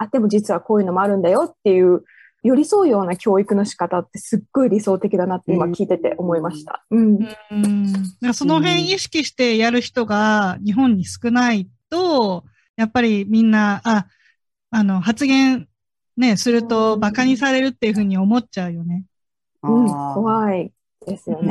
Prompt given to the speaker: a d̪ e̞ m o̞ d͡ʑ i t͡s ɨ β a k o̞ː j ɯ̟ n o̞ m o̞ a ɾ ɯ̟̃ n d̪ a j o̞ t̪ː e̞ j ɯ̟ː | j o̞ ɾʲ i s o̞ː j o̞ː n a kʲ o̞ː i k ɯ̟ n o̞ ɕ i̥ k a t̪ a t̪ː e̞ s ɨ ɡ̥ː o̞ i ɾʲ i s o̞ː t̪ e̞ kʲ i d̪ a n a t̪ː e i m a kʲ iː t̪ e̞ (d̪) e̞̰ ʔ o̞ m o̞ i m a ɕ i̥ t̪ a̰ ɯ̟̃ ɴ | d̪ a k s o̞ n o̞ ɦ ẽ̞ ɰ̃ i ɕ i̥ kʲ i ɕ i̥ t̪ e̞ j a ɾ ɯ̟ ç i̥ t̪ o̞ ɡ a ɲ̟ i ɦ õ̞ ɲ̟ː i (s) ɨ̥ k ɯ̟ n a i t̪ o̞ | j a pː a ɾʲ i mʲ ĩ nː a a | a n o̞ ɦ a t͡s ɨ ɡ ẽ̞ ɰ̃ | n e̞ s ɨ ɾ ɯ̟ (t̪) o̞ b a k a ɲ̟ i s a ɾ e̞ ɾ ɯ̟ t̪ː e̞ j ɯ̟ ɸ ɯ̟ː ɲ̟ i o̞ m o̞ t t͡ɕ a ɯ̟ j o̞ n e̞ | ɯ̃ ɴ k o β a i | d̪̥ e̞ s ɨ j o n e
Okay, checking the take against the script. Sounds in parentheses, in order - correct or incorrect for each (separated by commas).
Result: incorrect, correct, correct